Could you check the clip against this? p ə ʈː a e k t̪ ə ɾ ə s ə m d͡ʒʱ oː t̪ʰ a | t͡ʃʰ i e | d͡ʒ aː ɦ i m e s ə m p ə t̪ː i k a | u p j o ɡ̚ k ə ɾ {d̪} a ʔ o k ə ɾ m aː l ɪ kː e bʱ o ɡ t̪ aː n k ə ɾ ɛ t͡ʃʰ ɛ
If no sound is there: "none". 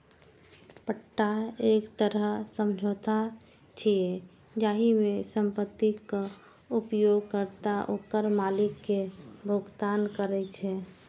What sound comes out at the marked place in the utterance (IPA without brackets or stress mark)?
t̪